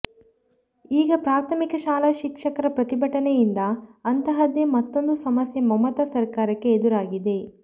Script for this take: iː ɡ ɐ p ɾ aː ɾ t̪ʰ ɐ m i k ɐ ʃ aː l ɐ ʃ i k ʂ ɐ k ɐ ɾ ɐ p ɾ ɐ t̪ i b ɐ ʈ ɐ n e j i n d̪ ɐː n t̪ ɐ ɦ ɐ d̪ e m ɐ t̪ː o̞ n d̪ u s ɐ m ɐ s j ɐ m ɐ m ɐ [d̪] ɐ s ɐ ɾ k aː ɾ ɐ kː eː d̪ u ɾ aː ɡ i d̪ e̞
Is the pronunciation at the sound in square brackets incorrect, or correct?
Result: incorrect: t̪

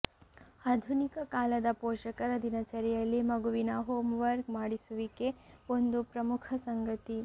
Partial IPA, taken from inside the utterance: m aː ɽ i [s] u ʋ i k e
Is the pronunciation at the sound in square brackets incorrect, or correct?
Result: correct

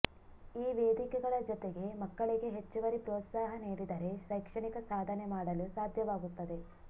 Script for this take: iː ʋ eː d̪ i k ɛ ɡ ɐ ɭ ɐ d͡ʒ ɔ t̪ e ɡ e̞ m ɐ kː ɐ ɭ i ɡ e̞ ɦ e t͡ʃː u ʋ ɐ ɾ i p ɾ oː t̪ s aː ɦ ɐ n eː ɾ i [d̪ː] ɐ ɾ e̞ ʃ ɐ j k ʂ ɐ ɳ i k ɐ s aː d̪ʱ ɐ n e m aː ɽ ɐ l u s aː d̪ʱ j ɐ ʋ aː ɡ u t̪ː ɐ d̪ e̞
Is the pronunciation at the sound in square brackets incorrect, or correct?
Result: incorrect: d̪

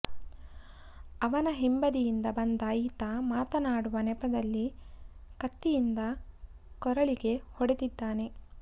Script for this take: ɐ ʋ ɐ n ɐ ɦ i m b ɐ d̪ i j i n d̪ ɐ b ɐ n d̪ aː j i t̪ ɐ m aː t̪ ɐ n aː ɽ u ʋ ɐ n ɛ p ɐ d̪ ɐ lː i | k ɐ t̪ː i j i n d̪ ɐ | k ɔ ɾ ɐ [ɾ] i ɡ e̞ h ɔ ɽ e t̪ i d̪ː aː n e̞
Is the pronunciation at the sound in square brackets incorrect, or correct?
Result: incorrect: ɭ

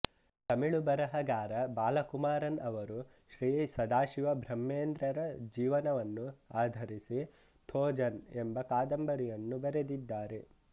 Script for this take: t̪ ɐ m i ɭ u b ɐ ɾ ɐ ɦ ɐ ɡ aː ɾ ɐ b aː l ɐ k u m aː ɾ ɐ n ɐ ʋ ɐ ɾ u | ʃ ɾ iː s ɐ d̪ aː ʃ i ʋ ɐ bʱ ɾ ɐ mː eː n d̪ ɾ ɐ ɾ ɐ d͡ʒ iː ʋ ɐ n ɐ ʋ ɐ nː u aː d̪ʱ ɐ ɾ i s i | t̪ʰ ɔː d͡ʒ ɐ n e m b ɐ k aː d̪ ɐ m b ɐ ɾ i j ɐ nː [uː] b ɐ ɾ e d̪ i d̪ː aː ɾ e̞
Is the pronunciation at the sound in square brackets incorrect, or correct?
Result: incorrect: u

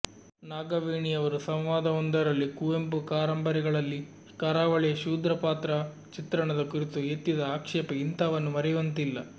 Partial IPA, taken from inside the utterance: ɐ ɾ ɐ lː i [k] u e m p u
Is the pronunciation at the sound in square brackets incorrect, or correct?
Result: correct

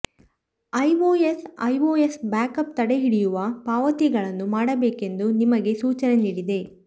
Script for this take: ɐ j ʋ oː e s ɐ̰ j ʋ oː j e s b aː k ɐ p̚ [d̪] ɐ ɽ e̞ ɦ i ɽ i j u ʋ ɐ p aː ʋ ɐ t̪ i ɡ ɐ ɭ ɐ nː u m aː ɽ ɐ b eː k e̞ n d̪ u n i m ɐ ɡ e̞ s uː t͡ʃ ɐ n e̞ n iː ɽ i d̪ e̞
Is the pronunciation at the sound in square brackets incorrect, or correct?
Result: incorrect: t̪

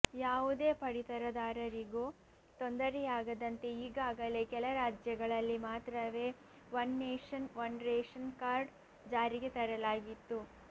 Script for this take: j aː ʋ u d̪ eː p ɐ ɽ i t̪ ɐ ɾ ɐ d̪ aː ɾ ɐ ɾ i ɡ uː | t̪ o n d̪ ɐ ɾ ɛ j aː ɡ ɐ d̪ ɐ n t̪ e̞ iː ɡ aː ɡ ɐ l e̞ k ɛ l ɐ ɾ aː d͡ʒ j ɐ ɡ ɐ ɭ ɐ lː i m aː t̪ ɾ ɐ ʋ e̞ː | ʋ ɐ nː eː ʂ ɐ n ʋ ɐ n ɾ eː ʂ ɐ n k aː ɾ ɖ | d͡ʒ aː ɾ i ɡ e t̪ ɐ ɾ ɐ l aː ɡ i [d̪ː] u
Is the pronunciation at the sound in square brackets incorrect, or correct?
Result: incorrect: t̪ː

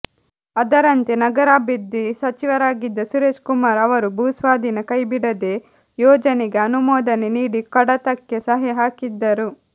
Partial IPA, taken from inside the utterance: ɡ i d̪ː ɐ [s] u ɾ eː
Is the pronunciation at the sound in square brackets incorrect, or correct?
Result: correct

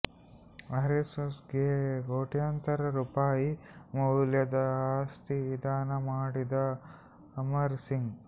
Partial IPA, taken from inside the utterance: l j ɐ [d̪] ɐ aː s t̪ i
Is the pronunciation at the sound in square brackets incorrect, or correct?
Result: correct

